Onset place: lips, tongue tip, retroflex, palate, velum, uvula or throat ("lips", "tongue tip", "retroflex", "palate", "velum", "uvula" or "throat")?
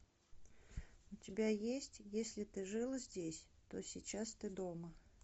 tongue tip